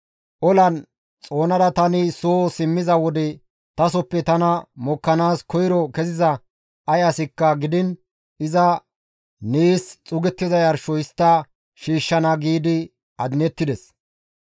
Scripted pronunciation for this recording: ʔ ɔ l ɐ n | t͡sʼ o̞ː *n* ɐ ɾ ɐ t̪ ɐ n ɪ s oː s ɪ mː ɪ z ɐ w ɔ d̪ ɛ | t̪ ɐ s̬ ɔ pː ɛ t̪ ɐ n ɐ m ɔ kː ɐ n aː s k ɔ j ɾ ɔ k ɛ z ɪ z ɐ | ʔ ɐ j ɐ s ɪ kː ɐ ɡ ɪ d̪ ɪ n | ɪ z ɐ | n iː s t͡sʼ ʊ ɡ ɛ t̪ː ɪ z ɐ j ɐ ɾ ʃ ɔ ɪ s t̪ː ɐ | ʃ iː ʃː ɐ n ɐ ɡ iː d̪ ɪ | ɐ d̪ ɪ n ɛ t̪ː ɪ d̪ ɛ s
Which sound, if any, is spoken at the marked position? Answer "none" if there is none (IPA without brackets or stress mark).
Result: n